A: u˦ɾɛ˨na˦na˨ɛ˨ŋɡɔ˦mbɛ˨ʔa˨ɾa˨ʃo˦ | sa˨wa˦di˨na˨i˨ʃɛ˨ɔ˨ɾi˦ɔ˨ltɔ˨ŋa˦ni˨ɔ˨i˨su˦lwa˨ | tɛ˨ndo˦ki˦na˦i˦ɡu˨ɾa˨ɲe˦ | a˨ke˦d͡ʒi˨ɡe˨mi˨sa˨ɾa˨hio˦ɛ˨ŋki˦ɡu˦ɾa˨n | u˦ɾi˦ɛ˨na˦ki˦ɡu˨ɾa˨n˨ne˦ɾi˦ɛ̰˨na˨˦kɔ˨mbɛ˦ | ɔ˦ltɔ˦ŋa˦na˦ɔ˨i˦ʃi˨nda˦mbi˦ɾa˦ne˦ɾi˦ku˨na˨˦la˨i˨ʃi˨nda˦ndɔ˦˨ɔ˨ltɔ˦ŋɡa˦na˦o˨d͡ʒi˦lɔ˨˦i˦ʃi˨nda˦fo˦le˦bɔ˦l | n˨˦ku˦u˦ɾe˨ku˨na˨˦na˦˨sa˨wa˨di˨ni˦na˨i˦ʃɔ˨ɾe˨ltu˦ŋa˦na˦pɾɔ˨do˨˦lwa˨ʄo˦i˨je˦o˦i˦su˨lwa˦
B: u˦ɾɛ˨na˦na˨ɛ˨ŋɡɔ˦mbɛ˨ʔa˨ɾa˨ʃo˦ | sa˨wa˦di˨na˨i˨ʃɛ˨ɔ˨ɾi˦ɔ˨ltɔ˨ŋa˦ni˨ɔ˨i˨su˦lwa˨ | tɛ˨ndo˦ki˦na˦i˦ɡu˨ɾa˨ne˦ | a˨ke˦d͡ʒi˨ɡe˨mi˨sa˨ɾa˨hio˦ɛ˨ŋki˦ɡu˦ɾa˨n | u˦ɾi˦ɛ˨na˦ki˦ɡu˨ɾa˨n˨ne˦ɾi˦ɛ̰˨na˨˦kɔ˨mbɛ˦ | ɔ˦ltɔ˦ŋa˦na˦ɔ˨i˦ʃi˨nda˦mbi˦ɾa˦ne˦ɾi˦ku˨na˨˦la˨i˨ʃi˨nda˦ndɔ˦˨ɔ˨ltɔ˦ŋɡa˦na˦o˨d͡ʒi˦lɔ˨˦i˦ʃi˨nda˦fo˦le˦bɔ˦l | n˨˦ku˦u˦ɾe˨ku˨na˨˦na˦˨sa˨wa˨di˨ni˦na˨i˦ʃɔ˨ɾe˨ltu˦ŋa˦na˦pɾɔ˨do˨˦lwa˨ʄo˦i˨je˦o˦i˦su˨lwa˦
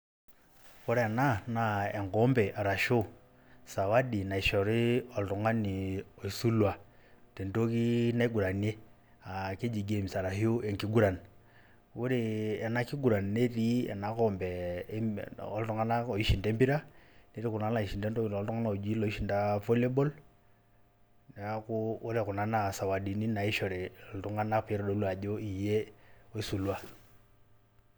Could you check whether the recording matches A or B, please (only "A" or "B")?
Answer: B